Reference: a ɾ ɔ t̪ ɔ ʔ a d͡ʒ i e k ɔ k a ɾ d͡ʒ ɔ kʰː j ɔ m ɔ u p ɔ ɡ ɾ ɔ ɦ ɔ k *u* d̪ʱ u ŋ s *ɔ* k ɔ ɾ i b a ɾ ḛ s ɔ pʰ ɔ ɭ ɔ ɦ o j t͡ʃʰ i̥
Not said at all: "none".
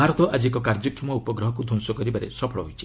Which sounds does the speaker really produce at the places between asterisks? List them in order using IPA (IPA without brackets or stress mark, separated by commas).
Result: u, ɔ